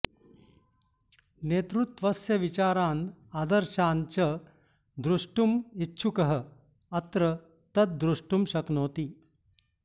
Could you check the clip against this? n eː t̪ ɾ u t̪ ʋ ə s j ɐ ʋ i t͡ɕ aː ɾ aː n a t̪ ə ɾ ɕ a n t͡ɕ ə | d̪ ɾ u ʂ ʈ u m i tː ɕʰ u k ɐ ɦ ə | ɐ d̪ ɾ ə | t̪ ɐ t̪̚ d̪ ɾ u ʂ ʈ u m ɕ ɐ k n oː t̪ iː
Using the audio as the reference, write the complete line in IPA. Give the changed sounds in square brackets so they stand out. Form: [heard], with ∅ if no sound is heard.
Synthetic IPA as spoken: n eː t̪ ɾ u t̪ ʋ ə s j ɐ ʋ i t͡ɕ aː ɾ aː n a [d̪] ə ɾ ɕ a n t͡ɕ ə | d̪ ɾ u ʂ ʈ u m i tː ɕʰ u k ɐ ɦ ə | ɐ [t̪] ɾ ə | t̪ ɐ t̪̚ d̪ ɾ u ʂ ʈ u m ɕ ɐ k n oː t̪ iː